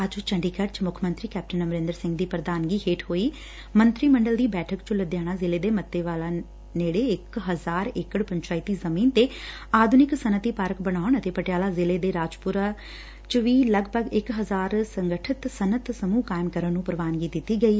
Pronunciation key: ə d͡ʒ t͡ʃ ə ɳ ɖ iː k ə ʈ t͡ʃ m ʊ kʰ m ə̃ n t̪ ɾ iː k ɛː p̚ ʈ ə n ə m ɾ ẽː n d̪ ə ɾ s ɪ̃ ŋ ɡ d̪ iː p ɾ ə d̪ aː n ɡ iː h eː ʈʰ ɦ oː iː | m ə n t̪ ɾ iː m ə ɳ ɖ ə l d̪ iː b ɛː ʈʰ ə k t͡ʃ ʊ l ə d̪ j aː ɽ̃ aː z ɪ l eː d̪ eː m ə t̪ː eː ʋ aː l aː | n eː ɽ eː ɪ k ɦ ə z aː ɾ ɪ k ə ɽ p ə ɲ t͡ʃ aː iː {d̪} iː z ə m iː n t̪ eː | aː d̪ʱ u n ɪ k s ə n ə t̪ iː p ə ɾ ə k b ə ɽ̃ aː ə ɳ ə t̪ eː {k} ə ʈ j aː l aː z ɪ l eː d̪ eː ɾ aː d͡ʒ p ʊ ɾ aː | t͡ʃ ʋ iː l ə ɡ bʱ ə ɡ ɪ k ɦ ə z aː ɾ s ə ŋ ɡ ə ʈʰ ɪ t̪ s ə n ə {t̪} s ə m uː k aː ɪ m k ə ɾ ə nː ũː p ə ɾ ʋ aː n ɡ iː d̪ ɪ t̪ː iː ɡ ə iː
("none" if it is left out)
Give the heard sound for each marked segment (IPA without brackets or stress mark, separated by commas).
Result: t̪, p, t̪